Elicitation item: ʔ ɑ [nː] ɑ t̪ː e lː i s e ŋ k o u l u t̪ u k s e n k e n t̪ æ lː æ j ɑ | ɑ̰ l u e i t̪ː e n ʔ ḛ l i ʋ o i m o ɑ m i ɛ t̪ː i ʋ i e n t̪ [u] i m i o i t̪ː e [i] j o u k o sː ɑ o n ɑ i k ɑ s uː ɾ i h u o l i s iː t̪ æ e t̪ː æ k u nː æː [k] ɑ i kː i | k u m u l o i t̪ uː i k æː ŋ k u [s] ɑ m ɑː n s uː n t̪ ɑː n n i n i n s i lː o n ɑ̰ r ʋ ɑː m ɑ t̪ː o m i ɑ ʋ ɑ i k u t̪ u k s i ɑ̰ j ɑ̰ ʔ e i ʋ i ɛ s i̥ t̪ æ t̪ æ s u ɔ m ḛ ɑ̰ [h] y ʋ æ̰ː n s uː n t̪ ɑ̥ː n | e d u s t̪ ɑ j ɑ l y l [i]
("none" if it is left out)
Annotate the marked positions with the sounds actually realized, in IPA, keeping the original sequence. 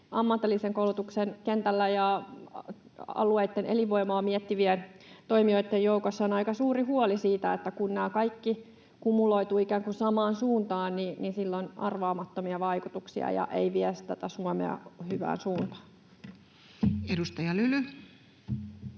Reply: mː, o, j, k, s, h, y

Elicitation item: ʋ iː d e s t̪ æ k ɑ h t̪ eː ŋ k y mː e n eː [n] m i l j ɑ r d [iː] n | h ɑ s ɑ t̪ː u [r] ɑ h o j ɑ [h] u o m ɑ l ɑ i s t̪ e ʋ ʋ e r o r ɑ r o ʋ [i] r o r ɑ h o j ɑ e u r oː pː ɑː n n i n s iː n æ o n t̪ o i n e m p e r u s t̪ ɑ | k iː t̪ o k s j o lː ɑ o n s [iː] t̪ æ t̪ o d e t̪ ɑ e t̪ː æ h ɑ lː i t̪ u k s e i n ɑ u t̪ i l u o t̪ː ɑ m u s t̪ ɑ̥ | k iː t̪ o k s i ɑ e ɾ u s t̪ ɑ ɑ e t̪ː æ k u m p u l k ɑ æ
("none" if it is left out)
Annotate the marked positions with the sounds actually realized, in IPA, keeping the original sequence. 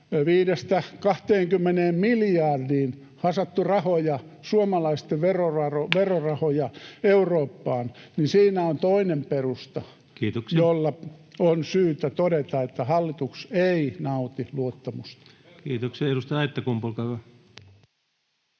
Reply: m, iː, r, s, e, yː

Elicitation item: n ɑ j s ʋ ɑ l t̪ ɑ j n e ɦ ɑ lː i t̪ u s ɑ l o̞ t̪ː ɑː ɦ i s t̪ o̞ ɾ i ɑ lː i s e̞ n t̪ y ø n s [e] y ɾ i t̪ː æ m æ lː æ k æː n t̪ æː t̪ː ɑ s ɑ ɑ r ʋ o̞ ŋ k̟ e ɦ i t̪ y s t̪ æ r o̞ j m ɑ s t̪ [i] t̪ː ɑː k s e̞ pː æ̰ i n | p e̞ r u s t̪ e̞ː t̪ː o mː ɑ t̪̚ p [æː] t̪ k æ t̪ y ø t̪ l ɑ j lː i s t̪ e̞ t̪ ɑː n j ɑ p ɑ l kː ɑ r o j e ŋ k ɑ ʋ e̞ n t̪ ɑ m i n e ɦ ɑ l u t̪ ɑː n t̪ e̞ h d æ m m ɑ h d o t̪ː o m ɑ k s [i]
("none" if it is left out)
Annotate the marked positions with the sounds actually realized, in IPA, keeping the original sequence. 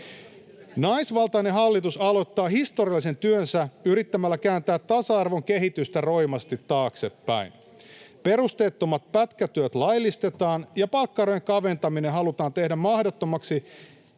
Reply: æ, i, æ, i

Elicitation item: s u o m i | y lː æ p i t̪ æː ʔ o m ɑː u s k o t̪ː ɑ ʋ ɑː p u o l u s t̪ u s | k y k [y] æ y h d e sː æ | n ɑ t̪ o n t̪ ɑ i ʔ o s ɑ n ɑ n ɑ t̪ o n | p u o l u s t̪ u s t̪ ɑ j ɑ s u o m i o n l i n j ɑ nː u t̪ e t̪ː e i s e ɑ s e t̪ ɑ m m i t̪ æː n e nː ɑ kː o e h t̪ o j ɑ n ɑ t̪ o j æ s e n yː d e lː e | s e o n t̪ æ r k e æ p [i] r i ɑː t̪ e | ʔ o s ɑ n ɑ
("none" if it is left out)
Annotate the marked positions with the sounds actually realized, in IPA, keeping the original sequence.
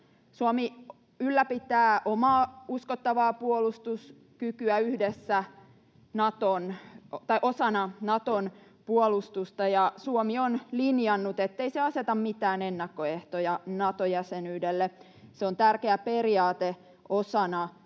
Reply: y, e

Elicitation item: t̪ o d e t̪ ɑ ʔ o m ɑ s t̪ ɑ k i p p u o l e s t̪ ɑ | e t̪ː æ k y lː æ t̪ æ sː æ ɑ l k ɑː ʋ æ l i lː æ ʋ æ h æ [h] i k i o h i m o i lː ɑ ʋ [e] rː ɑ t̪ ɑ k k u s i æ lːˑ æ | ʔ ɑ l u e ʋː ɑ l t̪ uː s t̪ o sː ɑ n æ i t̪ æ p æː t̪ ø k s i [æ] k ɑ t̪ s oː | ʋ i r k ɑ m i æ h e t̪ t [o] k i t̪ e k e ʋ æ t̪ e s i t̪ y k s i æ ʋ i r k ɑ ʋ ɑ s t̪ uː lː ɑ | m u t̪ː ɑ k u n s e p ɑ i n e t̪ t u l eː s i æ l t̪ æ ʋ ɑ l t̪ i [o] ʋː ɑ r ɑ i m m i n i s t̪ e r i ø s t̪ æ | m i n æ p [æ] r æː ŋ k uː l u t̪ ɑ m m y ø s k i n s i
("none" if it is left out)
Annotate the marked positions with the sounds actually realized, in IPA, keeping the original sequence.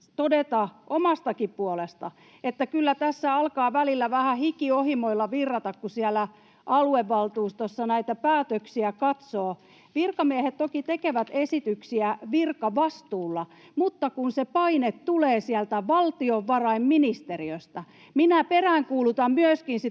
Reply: h, i, æ, o, o, e

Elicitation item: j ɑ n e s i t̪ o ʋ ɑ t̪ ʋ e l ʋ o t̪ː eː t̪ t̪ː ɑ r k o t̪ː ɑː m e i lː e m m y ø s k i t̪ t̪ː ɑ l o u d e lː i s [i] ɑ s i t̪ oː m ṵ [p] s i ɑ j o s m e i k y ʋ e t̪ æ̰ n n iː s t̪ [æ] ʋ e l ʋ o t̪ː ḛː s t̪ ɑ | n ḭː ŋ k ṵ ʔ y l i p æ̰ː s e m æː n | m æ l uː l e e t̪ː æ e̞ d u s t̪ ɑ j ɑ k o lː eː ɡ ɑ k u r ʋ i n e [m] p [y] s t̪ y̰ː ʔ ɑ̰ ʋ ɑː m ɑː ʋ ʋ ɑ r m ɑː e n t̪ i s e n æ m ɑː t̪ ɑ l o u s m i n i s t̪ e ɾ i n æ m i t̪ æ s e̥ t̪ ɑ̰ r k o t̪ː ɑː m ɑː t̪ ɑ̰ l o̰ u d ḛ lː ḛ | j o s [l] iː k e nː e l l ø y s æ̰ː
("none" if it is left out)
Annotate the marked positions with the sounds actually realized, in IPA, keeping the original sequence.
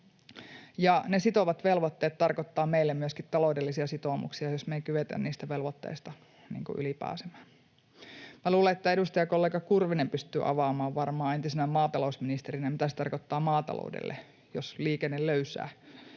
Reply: i, k, æ, m, y, l

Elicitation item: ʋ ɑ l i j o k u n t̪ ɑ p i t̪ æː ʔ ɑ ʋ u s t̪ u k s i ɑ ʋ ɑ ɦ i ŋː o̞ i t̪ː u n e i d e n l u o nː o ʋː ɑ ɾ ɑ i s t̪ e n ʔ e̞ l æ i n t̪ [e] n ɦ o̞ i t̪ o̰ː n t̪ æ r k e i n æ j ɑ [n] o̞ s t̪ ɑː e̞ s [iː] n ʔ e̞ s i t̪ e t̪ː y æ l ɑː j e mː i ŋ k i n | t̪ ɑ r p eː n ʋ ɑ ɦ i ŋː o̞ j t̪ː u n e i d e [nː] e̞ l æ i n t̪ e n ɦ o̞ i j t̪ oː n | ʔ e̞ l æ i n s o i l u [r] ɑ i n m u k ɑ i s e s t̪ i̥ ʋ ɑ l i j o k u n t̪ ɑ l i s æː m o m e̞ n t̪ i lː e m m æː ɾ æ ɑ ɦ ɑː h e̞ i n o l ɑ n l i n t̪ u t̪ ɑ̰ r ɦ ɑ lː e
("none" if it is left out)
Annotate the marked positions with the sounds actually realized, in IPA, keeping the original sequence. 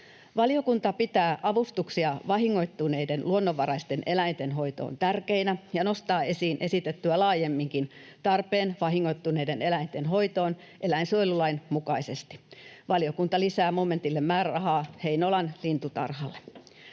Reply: e, n, iː, n, l

